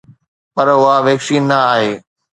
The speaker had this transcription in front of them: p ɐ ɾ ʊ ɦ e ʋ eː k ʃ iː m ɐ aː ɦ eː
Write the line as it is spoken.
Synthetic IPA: p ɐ ɾ ʊ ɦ a ʋ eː k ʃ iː n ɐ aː ɦ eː